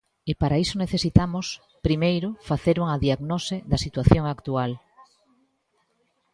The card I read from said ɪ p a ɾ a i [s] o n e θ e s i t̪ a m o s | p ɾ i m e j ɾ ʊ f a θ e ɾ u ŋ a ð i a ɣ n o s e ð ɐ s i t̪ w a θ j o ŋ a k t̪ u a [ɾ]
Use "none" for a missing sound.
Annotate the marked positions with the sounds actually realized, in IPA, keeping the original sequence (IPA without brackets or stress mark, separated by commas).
s, l